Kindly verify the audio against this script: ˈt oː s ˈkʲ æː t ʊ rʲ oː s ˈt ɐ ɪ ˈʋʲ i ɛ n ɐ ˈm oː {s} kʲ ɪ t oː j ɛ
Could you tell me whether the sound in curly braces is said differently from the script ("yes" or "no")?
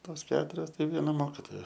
yes